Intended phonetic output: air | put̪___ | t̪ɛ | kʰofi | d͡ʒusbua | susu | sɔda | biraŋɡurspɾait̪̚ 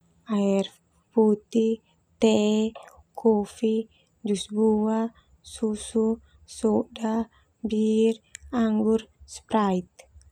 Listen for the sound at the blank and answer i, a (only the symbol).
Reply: i